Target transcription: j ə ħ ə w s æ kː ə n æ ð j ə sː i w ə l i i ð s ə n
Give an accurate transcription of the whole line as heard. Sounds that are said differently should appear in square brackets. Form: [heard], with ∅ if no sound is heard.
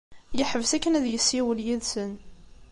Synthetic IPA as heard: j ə ħ ə [v] s æ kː ə n æ ð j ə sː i w ə l [j] i ð s ə n